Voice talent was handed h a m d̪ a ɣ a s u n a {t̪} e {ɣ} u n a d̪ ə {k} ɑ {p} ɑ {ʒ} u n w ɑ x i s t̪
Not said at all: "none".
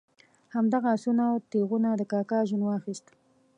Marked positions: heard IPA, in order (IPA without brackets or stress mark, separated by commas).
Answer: t̪, ɣ, k, k, ʒ